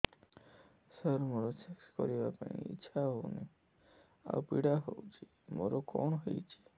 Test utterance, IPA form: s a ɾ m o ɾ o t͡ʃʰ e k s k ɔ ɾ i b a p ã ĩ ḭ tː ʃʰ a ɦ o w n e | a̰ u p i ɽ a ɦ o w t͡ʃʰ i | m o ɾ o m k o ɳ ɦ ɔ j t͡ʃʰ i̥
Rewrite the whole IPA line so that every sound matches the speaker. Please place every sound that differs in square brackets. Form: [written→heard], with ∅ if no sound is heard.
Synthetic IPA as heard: s [a→ə] ɾ m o ɾ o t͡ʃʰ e k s k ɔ ɾ i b a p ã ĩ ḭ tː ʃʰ a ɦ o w n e | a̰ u p i ɽ a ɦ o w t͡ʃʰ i | m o ɾ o [m→∅] k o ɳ ɦ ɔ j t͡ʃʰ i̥